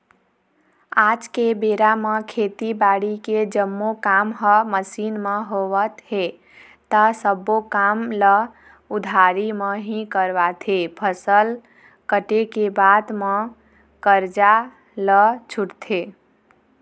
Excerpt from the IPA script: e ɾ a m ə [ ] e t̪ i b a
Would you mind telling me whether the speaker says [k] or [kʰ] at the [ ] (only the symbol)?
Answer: kʰ